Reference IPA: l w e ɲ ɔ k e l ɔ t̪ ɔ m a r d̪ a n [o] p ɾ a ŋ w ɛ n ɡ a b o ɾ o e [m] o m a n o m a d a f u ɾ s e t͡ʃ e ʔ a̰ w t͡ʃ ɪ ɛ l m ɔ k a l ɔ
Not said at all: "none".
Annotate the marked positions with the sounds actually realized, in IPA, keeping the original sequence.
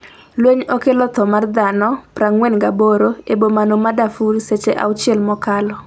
ɔ, b

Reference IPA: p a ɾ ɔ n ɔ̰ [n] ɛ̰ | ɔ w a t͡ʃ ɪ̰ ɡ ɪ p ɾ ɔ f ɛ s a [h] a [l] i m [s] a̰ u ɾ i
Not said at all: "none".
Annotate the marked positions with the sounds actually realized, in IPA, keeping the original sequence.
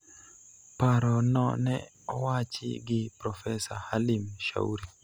n, h, l, ʃ

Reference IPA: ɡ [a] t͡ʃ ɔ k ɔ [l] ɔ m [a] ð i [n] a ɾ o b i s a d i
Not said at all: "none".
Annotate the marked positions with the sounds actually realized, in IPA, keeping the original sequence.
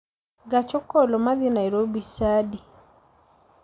a, l, a, n

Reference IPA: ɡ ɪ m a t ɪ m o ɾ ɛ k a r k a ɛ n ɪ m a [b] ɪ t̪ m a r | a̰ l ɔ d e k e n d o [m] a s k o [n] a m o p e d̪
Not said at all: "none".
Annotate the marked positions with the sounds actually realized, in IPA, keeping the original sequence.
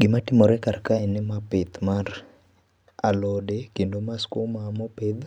p, m, m

